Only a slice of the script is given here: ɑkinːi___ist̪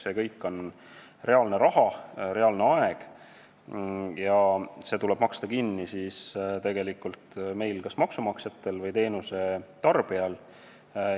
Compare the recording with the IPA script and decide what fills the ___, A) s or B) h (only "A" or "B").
A